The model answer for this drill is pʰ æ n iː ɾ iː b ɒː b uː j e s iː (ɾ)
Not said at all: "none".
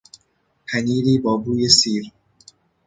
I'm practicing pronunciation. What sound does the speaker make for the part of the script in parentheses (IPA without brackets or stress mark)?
ɾ